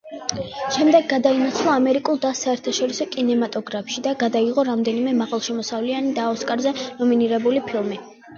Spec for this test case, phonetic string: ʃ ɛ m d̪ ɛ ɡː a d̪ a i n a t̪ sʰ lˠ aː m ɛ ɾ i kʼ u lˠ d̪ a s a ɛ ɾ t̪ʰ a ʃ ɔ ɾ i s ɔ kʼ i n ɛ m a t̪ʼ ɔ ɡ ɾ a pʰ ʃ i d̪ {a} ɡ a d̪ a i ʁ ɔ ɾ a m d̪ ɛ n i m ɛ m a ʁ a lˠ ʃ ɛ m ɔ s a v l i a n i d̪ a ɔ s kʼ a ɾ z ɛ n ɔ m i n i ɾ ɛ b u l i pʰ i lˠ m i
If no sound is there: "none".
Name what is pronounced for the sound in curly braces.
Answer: a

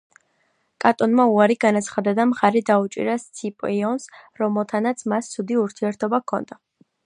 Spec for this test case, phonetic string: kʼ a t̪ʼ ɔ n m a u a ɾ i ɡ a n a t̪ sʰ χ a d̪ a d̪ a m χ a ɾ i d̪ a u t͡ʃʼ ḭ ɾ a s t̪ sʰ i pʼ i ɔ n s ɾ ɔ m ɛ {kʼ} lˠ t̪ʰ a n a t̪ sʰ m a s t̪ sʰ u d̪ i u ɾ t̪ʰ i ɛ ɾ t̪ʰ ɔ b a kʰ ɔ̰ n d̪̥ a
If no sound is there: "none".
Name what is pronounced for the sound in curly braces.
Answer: none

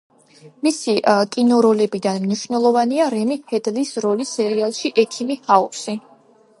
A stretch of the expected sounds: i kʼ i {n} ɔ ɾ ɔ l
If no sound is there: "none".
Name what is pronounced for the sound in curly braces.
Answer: n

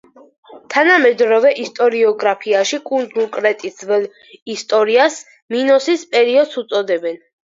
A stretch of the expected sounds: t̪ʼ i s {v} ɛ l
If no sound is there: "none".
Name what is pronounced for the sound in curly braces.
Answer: v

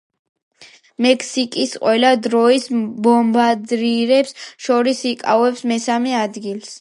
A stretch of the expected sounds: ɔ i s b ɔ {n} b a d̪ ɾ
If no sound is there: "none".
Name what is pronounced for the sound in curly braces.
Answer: m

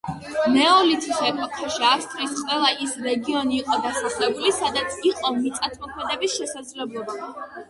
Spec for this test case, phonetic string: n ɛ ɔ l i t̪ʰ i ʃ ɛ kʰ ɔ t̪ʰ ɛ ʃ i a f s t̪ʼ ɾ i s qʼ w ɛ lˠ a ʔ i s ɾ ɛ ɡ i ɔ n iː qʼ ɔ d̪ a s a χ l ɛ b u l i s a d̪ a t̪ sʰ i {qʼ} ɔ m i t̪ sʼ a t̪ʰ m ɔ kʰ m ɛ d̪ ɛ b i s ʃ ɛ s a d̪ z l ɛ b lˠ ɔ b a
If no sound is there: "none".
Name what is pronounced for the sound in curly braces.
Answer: qʼ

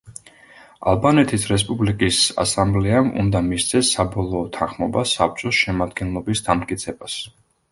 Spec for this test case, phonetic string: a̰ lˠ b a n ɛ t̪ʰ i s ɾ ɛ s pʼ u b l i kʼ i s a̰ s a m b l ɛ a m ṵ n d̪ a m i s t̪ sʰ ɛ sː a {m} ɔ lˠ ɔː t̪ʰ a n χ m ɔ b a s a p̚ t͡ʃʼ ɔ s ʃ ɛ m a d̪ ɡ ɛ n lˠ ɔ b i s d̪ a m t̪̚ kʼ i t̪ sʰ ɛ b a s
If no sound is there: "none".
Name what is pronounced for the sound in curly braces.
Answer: b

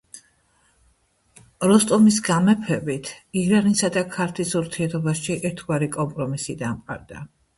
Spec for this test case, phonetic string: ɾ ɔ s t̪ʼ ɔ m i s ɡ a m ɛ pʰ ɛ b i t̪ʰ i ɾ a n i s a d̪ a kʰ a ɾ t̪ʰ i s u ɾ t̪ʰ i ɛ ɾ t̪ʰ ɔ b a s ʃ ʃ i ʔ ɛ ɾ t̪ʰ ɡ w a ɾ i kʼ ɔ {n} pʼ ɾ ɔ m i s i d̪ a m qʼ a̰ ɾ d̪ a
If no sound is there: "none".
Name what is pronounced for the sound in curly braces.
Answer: m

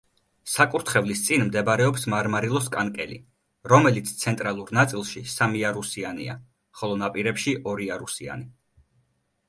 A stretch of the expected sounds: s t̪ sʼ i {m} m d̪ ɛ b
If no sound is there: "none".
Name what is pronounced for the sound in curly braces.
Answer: n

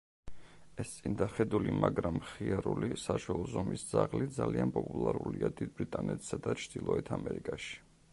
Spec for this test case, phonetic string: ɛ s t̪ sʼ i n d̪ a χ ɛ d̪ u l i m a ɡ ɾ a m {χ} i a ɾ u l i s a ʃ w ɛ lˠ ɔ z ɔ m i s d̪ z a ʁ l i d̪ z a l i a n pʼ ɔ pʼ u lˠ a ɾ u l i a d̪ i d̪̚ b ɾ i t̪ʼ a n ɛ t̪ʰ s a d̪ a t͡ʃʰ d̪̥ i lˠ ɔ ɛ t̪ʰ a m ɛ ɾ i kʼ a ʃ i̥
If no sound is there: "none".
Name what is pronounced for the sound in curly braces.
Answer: χ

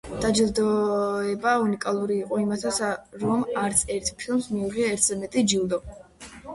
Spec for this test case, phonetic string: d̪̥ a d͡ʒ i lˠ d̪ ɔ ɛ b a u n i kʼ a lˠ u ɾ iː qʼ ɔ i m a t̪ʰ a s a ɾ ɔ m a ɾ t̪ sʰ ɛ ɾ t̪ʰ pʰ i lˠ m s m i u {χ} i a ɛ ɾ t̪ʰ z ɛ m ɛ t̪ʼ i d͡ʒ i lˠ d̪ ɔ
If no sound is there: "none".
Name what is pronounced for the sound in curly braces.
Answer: ʁ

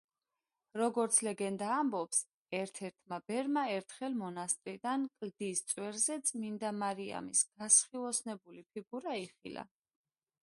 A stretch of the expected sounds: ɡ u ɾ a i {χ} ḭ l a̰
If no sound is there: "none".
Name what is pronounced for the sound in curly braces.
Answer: χ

